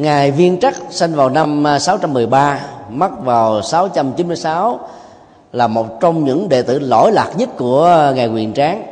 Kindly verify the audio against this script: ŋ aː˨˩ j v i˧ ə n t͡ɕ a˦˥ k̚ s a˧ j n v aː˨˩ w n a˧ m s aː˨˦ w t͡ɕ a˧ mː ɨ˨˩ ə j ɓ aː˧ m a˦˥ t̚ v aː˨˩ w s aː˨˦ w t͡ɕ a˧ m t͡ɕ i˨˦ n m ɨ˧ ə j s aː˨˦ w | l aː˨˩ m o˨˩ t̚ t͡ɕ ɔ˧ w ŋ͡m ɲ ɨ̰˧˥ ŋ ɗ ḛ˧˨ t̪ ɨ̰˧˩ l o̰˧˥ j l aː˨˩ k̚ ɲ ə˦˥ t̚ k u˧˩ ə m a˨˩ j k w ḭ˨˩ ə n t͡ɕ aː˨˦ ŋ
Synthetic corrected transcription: ŋ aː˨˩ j v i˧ ə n t͡ɕ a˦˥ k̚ s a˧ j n v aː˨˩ w n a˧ m s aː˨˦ w t͡ɕ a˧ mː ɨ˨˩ ə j ɓ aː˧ m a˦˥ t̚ v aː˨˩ w s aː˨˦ w t͡ɕ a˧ m t͡ɕ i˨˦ n m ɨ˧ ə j s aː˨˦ w | l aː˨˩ m o˨˩ t̚ t͡ɕ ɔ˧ w ŋ͡m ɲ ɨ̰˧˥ ŋ ɗ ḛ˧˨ t̪ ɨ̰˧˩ l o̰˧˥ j l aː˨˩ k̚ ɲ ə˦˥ t̚ k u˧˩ ə ŋ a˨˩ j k w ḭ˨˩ ə n t͡ɕ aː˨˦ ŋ